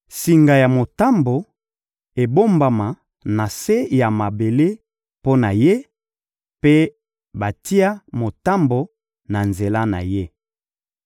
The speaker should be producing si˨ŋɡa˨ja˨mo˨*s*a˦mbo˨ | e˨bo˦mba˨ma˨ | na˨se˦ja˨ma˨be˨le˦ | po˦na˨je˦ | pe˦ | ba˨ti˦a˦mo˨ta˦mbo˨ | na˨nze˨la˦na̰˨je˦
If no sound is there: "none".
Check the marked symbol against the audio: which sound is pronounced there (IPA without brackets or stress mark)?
t